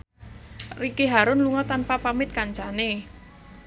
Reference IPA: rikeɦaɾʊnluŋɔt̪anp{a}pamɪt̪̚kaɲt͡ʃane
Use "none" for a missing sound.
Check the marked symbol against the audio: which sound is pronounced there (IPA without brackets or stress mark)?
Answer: a